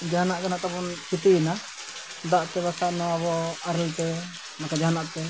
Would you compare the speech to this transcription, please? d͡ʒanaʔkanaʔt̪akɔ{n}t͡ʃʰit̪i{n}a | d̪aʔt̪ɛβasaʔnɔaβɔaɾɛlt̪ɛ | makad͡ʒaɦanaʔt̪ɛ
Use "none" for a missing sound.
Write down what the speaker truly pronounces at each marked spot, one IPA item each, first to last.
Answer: n, n

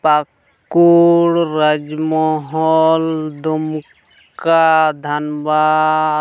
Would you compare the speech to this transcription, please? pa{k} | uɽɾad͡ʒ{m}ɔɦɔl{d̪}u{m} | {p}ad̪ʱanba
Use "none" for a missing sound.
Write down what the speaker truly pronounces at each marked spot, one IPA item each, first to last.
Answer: k, m, d̪, m, k

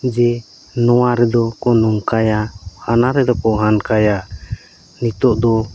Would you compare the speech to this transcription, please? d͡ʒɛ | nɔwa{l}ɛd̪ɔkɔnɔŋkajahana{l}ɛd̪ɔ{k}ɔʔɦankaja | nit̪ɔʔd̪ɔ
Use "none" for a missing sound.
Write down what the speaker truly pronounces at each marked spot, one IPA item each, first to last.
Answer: ɾ, ɾ, k

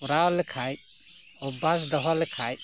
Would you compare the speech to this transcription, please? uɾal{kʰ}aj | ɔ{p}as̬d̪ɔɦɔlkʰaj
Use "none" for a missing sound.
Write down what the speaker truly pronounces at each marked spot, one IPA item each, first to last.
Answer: kʰ, b

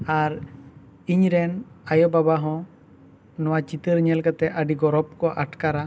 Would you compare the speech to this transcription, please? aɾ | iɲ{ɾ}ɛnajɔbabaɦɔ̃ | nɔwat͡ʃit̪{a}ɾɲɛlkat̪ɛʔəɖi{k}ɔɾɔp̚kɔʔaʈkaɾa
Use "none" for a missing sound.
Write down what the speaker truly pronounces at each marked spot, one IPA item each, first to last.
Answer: ɾ, ə, ɡ

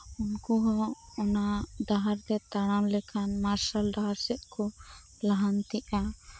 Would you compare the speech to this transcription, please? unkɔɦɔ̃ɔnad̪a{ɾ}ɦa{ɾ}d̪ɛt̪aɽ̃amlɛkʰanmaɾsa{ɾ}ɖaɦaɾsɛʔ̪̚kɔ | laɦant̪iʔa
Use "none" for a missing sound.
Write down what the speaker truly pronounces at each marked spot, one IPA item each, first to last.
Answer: none, ɾ, l

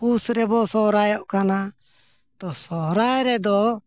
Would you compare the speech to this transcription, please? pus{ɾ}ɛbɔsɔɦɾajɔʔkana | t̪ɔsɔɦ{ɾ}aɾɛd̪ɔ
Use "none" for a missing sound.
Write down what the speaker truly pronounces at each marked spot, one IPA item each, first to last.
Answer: ɾ, ɾ

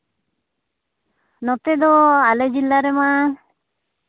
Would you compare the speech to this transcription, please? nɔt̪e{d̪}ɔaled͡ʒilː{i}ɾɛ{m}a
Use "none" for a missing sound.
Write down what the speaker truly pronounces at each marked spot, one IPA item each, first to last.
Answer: d̪, a, m

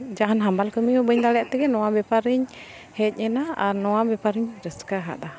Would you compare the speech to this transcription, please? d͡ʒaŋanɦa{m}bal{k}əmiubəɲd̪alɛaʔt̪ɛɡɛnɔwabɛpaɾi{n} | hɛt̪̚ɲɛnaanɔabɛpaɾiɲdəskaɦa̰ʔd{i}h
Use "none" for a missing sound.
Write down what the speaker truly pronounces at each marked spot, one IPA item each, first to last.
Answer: m, k, ɲ, a

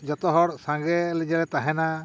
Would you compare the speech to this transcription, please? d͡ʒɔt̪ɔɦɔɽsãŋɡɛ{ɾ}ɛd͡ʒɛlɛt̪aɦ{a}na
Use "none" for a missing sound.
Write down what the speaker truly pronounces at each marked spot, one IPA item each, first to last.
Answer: l, ɛ

